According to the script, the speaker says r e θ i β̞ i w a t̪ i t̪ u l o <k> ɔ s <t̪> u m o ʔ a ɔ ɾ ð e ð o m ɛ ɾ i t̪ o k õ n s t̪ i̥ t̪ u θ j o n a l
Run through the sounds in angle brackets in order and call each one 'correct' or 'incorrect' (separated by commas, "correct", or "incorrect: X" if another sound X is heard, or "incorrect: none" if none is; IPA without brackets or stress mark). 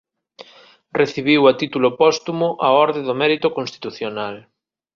incorrect: p, correct